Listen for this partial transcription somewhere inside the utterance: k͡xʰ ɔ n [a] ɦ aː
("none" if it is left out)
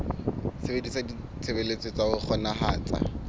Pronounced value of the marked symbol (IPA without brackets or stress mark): a